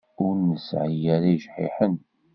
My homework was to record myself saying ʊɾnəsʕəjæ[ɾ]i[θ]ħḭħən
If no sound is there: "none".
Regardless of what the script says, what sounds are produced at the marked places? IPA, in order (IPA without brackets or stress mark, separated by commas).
ɾ, ʃ